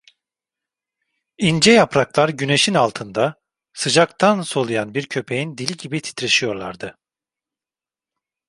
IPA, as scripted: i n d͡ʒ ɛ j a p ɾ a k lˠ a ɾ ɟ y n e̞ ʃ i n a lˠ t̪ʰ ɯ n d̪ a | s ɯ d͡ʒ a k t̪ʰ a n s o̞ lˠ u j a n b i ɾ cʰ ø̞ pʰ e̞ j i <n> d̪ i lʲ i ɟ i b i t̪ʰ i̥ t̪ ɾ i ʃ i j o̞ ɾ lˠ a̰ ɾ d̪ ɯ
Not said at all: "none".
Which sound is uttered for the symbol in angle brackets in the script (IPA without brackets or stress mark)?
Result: n